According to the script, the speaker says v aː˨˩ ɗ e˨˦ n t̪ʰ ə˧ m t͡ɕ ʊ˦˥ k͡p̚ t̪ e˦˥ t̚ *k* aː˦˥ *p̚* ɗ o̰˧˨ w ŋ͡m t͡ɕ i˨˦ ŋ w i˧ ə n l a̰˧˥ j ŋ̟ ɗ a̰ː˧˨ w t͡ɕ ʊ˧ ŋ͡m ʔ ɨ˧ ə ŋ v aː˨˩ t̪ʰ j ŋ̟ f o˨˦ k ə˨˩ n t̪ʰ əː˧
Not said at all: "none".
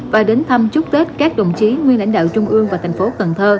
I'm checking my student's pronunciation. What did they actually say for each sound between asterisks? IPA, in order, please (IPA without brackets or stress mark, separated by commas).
k, k̚